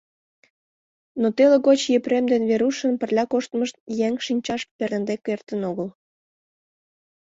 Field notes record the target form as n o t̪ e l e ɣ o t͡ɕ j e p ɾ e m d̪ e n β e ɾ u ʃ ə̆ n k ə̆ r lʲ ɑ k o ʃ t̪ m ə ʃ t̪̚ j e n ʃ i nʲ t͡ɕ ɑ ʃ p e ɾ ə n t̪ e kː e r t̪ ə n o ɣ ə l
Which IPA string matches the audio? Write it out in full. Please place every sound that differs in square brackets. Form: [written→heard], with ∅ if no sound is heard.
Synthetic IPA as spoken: n o t̪ e l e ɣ o t͡ɕ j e p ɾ e m d̪ e n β e ɾ u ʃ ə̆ n [k→p] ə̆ r lʲ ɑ k o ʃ t̪ m ə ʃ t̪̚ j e [n→ŋ] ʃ i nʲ t͡ɕ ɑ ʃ p e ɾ ə n [t̪→d̪] e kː e r t̪ ə n o ɣ ə l